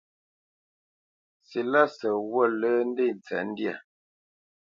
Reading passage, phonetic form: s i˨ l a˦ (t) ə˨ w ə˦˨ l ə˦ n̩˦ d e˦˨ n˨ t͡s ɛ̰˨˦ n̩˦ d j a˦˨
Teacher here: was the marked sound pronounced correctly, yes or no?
no